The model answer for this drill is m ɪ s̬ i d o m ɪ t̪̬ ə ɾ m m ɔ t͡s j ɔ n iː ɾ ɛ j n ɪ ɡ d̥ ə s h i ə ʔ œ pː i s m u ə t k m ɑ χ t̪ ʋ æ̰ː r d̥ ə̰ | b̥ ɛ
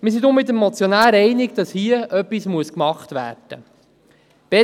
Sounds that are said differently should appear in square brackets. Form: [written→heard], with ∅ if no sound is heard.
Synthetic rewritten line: m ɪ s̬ i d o m ɪ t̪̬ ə [ɾ→∅] m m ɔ t͡s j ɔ n [iː→æː] ɾ ɛ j n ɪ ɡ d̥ [ə→ɑ] s h i ə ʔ œ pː i s m u ə [t→s] k m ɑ χ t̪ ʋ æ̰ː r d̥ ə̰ | b̥ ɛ